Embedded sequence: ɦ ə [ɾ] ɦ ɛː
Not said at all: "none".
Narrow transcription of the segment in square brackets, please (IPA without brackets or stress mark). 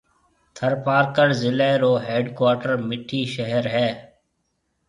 ɾ